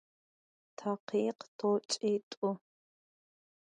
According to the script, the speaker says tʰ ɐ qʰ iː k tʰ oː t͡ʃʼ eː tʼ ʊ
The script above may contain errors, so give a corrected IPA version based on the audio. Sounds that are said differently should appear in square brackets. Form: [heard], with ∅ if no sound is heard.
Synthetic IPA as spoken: tʰ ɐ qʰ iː [q] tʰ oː t͡ʃʼ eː tʼ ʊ